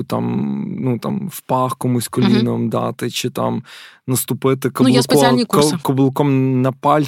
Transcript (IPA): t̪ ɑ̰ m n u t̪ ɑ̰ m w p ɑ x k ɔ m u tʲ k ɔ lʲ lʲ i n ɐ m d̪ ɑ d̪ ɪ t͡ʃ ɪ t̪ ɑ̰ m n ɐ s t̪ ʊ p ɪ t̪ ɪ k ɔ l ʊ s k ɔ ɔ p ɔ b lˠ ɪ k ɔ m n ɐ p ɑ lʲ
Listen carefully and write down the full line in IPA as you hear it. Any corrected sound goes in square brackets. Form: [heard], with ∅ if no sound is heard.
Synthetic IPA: t̪ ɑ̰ m n u t̪ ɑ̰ m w p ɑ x k ɔ m u [sʲ] k ɔ lʲ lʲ i n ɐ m d̪ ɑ [t̪] ɪ t͡ʃ ɪ t̪ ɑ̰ m n ɐ s t̪ ʊ p ɪ t̪ ɪ k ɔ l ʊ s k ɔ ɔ [k] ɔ b lˠ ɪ k ɔ m n ɐ p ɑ lʲ